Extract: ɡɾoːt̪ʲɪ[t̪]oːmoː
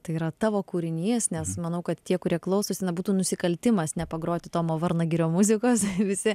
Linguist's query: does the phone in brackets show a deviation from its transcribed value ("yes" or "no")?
no